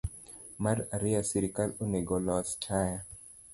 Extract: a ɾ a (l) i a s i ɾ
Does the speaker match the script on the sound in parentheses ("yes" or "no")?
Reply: no